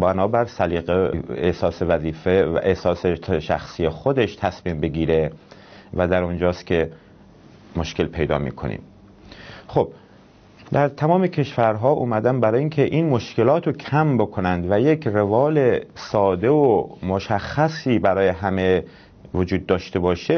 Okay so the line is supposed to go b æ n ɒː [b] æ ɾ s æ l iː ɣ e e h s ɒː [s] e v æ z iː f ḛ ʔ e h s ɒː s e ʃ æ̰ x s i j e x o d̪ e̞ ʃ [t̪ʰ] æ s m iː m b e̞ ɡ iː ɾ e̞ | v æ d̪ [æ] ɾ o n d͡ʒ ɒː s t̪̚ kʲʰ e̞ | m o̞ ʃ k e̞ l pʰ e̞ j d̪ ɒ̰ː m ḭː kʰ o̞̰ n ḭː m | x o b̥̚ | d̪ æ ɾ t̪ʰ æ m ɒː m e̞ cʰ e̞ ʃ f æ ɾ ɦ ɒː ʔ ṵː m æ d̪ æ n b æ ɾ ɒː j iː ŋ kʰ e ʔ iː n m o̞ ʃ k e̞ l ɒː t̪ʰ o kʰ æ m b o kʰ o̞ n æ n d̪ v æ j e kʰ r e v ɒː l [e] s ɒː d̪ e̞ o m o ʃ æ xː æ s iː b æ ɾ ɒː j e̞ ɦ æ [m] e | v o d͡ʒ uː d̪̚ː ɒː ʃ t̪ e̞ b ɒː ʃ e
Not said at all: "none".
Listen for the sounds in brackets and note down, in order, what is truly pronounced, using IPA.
b, s, t̪ʰ, æ, e, m

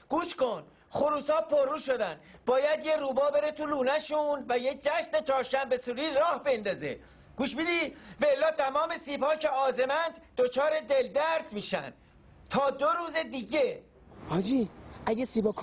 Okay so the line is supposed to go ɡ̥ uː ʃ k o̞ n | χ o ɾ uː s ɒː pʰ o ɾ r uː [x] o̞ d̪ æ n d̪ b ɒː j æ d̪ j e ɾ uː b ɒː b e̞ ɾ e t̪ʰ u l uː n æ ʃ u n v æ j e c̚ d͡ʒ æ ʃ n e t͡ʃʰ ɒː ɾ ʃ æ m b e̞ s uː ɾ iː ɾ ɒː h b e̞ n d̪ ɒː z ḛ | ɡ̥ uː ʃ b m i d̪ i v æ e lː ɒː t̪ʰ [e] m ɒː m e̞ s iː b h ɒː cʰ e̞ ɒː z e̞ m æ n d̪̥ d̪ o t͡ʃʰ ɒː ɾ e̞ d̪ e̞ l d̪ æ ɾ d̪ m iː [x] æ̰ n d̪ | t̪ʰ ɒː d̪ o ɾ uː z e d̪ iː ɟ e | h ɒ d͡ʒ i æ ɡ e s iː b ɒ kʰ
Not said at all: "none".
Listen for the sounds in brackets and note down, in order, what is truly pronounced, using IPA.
ʃ, æ, ʃ

